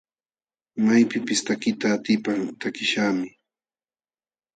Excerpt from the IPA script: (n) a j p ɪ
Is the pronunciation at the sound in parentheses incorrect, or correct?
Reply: incorrect: m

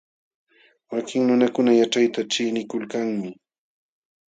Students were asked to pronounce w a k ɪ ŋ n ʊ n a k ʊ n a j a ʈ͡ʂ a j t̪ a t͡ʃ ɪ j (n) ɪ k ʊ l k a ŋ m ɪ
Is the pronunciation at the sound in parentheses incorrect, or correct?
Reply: correct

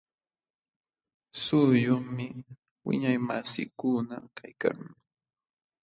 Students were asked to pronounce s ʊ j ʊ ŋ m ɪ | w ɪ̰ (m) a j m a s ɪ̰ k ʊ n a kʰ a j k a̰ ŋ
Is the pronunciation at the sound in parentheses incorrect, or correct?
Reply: incorrect: ɲ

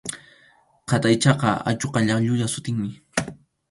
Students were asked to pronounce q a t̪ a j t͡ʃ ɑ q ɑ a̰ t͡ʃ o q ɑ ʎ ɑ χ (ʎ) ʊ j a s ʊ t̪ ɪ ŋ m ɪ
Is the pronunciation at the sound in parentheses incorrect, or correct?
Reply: correct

